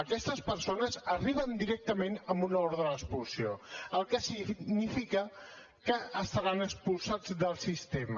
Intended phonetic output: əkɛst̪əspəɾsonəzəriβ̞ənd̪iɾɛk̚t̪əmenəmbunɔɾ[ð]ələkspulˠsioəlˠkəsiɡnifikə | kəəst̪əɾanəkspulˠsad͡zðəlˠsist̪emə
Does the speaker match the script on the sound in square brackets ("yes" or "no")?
yes